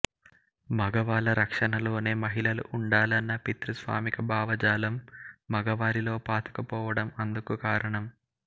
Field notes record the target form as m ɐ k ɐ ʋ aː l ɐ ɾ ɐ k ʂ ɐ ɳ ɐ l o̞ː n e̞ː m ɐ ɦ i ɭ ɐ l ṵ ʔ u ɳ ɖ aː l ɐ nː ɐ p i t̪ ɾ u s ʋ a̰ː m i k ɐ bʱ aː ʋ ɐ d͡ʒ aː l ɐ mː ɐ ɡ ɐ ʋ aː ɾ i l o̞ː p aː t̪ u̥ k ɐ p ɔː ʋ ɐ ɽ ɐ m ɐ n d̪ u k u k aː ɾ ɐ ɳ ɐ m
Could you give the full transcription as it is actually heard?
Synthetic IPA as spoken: m ɐ ɡ ɐ ʋ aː l ɐ ɾ ɐ k ʂ ɐ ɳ ɐ l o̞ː n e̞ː m ɐ ɦ i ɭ ɐ l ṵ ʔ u ɳ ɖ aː l ɐ nː ɐ p i t̪ ɾ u s ʋ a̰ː m i k ɐ bʱ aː ʋ ɐ d͡ʒ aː l ɐ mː ɐ ɡ ɐ ʋ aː ɾ i l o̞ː p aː t̪ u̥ k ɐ p ɔː ʋ ɐ ɽ ɐ m ɐ n d̪ u k u k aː ɾ ɐ ɳ ɐ m